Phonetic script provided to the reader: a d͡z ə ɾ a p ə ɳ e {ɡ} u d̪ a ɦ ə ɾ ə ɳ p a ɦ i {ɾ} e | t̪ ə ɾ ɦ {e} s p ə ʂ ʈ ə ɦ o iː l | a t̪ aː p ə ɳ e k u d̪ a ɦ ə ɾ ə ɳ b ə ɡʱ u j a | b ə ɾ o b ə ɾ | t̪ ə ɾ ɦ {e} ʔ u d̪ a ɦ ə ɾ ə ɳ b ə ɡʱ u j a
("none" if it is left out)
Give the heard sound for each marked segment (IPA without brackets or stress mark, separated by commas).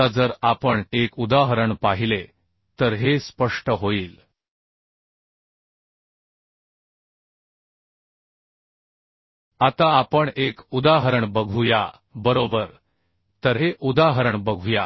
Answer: k, l, e, e